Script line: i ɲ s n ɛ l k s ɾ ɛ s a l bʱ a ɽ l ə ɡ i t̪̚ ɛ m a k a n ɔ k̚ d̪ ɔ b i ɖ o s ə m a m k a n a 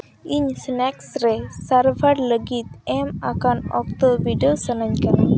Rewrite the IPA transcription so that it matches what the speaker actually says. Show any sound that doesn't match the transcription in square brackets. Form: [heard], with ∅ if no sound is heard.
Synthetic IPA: i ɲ s n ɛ [∅] k s ɾ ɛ s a [ɾ] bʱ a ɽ l ə ɡ i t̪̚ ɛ m a k a n ɔ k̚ [t̪] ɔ b i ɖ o s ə [n] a [ɲ] k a n a